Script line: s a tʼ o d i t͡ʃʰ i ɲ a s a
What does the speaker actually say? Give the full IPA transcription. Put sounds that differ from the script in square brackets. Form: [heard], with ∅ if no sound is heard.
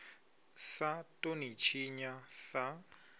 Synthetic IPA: s a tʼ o [n] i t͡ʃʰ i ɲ a s a